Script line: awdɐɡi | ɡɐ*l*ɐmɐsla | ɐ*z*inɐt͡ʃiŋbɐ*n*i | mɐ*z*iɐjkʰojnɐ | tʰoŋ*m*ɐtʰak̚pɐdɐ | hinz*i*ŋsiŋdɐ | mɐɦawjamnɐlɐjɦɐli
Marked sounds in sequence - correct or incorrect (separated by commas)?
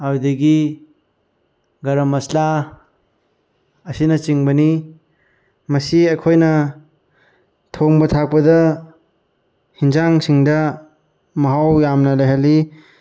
incorrect, incorrect, correct, incorrect, incorrect, incorrect